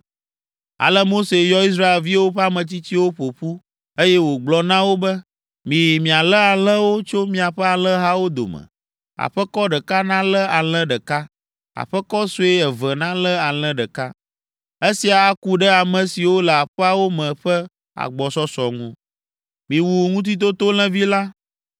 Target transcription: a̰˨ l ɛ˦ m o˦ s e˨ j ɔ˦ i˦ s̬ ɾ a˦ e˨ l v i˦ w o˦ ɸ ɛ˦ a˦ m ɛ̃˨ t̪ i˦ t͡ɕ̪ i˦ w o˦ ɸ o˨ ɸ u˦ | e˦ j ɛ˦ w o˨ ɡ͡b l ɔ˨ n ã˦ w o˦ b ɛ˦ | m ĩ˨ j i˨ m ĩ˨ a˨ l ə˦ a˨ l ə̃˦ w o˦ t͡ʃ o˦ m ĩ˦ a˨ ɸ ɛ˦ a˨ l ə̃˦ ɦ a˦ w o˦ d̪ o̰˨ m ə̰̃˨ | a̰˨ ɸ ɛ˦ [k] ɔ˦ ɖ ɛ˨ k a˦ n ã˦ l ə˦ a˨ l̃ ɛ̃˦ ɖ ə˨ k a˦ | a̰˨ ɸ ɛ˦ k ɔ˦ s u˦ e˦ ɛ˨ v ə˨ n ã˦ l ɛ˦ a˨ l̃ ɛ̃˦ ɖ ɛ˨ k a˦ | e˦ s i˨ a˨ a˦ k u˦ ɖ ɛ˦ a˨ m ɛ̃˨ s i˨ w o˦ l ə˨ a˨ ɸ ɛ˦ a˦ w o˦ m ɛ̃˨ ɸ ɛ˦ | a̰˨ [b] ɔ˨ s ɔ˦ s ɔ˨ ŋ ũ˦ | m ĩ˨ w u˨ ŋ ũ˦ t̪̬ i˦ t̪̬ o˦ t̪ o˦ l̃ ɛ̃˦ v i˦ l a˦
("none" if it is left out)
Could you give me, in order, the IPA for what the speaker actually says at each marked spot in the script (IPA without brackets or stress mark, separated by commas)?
k, ɡ͡b